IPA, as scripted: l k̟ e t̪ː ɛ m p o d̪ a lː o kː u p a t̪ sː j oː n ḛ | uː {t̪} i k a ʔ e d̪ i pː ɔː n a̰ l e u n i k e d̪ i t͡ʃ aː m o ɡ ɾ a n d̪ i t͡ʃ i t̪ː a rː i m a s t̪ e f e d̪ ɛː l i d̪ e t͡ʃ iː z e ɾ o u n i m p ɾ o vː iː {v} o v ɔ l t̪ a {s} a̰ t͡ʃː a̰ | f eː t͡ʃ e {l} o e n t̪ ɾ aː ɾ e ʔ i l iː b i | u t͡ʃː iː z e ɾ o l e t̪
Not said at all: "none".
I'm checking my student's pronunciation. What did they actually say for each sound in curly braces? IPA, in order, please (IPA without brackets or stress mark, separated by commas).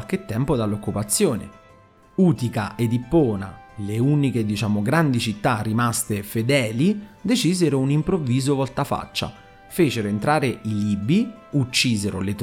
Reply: t̪, z, f, ɾ